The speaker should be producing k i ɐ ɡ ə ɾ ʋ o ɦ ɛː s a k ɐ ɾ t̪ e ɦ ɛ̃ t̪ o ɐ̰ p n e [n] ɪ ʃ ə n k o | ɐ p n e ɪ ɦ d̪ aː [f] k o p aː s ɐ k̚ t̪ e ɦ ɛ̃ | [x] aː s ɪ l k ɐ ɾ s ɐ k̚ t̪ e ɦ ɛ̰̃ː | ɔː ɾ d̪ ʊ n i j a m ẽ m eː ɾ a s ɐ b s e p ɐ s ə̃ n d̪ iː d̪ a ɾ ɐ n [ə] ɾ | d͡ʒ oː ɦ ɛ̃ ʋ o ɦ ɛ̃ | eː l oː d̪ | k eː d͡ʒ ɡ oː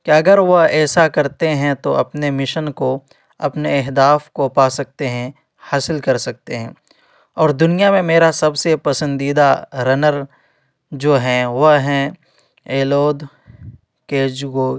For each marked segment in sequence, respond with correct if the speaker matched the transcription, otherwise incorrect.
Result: incorrect: m, correct, incorrect: h, correct

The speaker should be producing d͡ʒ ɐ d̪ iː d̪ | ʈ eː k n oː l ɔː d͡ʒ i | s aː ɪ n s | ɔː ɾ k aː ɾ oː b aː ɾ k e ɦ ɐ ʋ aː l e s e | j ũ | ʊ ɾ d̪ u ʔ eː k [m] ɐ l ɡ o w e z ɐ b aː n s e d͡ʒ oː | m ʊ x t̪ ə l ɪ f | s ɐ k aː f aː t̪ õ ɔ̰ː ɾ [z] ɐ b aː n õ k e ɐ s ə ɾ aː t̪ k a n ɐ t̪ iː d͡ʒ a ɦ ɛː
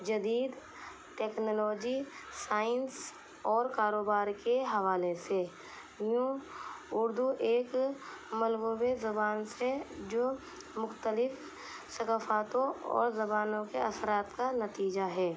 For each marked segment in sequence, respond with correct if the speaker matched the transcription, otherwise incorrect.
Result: correct, correct

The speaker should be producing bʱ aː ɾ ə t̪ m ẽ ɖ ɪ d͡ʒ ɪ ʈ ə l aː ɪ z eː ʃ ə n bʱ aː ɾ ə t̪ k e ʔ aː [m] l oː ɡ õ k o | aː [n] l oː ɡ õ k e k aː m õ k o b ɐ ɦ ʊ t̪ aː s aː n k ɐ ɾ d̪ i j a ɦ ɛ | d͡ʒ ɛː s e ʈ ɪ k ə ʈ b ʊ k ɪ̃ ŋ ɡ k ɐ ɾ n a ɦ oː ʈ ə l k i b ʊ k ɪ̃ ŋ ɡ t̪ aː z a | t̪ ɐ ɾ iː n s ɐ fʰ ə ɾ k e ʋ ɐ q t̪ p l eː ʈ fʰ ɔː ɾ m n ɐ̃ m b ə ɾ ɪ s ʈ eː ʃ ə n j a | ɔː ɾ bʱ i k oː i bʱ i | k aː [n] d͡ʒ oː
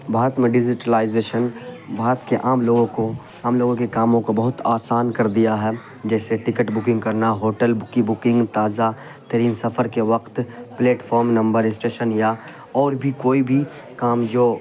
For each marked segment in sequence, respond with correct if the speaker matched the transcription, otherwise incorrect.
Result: correct, incorrect: m, incorrect: m

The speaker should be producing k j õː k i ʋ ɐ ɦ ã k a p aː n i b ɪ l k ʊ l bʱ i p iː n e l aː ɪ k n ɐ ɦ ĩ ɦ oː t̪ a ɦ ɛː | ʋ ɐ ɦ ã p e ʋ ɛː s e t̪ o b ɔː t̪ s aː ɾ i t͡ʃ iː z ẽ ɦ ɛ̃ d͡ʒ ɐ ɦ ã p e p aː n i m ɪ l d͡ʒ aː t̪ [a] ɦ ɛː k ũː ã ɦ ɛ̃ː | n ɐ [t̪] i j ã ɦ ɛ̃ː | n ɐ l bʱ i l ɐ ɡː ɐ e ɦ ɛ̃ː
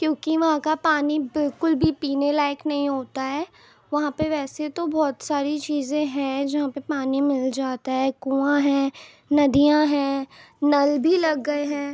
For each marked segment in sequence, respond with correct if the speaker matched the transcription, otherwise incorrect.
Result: correct, incorrect: d̪

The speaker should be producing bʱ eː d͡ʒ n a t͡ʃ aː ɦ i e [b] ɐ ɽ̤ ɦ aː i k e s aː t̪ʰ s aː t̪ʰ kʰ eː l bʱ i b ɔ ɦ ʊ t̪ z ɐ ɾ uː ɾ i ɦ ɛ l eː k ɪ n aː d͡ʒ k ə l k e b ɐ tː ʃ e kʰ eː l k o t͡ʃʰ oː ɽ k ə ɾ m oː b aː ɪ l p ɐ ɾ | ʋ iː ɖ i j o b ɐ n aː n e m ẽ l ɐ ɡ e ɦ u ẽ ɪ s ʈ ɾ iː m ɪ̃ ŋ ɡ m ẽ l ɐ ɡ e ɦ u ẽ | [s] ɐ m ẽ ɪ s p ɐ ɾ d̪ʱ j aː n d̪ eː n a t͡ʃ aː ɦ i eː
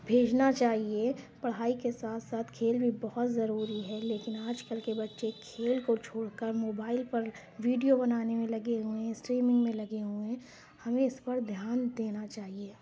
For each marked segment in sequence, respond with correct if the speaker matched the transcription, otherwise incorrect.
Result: incorrect: p, incorrect: h

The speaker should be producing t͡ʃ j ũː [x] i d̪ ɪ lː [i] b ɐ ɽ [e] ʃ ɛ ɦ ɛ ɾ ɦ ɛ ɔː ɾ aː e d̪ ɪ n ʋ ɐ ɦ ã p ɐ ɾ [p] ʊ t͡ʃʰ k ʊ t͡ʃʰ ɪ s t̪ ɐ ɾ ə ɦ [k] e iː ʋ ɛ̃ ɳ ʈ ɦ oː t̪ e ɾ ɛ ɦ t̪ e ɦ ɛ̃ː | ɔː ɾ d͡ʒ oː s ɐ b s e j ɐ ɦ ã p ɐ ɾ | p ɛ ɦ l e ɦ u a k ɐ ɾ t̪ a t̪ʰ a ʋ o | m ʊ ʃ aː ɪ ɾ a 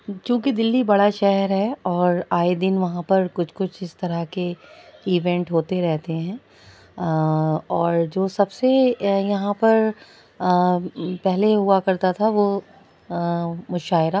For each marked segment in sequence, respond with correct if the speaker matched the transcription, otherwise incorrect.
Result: incorrect: k, correct, incorrect: a, incorrect: k, correct

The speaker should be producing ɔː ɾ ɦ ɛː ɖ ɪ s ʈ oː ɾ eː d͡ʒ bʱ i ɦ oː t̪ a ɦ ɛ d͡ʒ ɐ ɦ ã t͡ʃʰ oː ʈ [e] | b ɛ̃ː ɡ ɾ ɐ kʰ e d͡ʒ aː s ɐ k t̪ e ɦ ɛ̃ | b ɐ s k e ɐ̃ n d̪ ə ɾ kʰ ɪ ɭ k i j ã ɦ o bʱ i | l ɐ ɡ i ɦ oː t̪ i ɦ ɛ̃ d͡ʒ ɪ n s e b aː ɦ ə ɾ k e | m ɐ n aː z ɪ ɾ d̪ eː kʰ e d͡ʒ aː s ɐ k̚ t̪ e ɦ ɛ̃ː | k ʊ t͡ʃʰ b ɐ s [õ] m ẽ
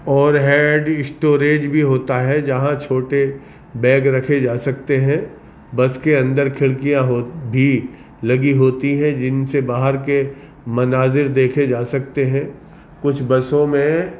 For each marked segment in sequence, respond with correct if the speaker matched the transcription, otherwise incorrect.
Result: correct, correct

